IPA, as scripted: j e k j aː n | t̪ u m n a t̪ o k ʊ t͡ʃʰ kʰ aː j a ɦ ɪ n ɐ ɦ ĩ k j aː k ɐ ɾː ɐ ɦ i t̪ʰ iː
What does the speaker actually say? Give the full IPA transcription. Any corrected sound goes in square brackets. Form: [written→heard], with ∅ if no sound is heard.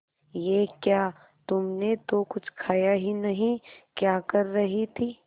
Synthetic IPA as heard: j e k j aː [n→∅] | t̪ [u→ʊ] m n [a→e] t̪ o k ʊ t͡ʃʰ kʰ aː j a ɦ [ɪ→i] n ɐ ɦ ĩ k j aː k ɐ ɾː ɐ ɦ i t̪ʰ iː